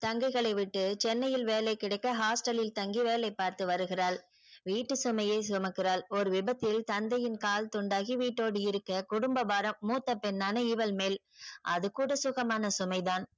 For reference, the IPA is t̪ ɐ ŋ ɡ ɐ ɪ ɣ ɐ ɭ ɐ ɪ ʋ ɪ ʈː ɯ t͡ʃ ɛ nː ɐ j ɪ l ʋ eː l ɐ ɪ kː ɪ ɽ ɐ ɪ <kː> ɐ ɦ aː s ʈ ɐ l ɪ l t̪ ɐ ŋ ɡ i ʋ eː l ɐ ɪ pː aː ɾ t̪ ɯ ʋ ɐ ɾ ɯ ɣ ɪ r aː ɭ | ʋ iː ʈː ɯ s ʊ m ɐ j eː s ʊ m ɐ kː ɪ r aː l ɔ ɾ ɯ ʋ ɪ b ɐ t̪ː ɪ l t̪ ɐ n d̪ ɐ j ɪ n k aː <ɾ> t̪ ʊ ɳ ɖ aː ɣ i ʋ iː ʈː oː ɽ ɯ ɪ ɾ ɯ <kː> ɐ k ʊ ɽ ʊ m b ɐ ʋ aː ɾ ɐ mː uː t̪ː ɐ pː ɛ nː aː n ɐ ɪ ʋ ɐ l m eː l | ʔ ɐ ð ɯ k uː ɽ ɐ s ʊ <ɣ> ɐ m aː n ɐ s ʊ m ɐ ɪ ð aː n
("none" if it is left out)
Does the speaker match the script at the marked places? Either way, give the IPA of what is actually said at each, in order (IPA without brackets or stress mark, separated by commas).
kː, l, kː, ɣ